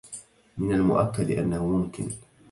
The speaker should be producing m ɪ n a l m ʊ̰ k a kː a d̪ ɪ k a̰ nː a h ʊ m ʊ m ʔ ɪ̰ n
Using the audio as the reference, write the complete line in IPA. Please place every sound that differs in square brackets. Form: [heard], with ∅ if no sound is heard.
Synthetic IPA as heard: m ɪ n a l m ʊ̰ [ʔ] a kː a d̪ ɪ [ʔ] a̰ nː a h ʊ m ʊ m [k] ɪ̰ n